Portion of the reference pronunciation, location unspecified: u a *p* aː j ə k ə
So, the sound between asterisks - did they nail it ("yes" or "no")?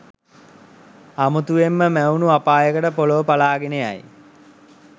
yes